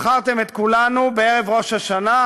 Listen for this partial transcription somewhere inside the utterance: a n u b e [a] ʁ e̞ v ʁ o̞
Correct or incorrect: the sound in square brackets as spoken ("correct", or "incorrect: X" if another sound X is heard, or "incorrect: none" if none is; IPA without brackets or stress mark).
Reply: incorrect: e